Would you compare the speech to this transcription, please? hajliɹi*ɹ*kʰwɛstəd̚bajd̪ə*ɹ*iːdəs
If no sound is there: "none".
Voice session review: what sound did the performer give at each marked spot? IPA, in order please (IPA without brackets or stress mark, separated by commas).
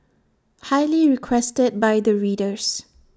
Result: none, ɹ